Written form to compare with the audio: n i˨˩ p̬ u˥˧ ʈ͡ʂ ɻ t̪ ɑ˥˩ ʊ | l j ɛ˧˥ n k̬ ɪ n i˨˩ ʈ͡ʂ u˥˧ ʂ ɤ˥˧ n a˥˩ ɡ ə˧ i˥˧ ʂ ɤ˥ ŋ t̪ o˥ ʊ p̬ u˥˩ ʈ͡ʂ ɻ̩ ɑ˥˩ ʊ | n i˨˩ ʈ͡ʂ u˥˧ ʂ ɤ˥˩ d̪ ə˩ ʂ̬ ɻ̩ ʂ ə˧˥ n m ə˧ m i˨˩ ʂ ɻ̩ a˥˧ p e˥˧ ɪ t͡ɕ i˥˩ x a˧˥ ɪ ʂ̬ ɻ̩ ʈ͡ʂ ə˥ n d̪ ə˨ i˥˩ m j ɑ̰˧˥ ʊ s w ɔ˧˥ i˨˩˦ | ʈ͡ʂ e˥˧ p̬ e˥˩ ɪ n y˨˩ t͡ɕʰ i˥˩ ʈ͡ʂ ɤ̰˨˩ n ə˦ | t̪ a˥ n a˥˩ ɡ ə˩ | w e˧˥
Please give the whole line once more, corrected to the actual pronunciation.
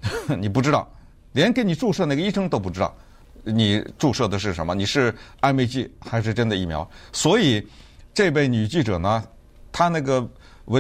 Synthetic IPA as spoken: n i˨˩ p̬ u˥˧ ʈ͡ʂ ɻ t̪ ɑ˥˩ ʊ | l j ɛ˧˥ n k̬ ɪ n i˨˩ ʈ͡ʂ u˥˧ ʂ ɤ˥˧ n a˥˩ ɡ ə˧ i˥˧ ʂ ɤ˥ ŋ t̪ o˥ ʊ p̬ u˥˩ ʈ͡ʂ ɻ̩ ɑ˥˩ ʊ | n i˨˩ ʈ͡ʂ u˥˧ ʂ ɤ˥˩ d̪ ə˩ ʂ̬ ɻ̩ ʂ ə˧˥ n m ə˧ n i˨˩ ʂ ɻ̩ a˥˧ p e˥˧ ɪ t͡ɕ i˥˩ x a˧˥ ɪ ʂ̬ ɻ̩ ʈ͡ʂ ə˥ n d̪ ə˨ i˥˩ m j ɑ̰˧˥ ʊ s w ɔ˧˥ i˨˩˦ | ʈ͡ʂ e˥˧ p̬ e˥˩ ɪ n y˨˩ t͡ɕ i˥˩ ʈ͡ʂ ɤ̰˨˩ n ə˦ | t̪ʰ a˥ n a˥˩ ɡ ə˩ | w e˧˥